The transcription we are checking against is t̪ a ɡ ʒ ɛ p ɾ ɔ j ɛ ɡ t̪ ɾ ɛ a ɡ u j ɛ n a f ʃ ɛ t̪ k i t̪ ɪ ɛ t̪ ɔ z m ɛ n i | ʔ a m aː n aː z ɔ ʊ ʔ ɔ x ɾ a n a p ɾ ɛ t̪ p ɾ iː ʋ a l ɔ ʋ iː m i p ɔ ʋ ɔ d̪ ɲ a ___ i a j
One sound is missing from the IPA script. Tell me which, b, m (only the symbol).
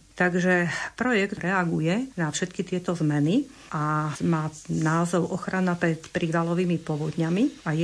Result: m